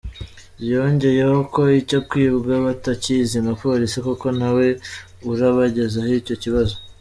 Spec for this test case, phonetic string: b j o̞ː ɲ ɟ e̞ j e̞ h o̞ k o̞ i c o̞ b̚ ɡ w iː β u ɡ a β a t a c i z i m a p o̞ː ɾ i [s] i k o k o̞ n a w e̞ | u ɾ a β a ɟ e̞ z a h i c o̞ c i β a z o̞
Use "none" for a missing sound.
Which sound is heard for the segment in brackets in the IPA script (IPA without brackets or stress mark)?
s